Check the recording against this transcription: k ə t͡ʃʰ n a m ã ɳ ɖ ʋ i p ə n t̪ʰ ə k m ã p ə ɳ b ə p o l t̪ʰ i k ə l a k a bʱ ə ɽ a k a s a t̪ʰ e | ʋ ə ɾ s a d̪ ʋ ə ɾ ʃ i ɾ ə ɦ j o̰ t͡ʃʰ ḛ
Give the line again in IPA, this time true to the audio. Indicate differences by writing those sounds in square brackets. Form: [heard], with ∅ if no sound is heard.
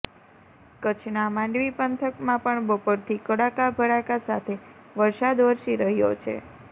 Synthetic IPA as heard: k ə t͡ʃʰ n a m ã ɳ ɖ ʋ i p ə n t̪ʰ ə k m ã p ə ɳ b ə p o [ɾ] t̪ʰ i k ə [ɽ] a k a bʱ ə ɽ a k a s a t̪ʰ e | ʋ ə ɾ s a d̪ ʋ ə ɾ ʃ i ɾ ə ɦ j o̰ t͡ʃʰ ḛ